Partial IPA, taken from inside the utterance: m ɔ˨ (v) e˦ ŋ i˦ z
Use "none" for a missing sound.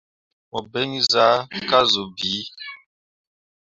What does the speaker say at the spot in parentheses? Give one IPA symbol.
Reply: b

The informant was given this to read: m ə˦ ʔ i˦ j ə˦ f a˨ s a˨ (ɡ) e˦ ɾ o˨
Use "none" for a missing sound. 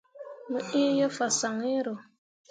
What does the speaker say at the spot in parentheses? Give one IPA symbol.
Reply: ŋ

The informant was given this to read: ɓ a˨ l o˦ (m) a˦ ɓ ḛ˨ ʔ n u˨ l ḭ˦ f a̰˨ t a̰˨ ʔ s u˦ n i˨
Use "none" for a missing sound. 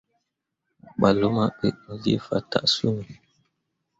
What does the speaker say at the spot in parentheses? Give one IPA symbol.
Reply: m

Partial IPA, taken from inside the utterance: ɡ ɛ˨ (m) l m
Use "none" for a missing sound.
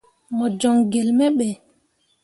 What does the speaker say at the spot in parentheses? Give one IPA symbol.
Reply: none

